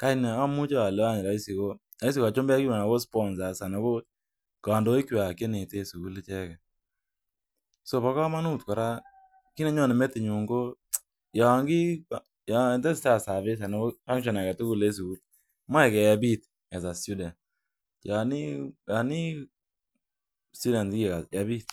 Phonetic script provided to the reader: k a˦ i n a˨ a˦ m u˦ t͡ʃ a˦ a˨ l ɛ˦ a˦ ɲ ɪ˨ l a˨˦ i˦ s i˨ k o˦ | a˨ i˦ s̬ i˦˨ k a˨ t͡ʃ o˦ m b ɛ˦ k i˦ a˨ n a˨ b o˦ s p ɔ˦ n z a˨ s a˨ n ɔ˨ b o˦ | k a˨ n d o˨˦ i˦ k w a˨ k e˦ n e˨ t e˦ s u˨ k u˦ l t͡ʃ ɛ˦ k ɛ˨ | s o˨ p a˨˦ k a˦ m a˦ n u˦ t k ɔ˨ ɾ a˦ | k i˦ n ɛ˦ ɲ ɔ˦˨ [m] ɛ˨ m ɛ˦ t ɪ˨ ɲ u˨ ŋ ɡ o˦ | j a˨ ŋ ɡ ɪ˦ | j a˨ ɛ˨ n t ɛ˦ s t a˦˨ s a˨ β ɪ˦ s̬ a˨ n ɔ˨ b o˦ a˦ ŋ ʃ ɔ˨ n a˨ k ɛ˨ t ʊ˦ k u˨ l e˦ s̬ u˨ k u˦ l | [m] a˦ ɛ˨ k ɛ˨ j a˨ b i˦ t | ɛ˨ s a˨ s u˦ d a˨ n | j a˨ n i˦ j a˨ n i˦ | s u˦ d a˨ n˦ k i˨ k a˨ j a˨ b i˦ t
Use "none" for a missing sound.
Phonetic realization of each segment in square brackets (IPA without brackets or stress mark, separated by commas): n, m